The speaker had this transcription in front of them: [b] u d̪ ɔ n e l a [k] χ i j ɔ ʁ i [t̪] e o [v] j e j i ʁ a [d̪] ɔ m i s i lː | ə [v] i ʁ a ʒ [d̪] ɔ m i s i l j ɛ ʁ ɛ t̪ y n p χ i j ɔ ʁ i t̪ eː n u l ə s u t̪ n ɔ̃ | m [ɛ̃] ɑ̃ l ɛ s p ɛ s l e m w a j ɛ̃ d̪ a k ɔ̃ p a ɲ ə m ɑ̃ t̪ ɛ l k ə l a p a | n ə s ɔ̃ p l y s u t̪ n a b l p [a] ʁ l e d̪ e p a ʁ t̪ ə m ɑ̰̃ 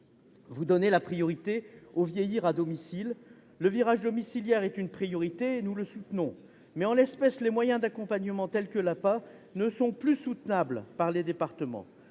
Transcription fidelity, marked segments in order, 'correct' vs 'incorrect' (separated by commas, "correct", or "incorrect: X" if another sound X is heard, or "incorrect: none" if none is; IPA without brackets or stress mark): incorrect: v, incorrect: p, correct, correct, correct, correct, correct, incorrect: ɛ, correct